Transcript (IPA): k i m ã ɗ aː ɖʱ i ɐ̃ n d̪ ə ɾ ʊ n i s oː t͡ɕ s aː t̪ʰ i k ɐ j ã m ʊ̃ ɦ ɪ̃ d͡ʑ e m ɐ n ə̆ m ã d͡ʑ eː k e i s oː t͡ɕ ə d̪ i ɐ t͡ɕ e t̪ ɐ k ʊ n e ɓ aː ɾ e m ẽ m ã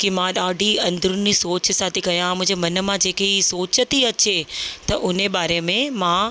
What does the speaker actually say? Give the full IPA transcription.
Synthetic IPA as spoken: k i m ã ɗ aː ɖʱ i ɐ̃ n d̪ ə ɾ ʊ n i s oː t͡ɕ s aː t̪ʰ i k ɐ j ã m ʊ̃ ɦ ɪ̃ d͡ʑ e m ɐ n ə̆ m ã d͡ʑ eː k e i s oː t͡ɕ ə t̪ i ɐ t͡ɕ e t̪ ɐ ʔ ʊ n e ɓ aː ɾ e m ẽ m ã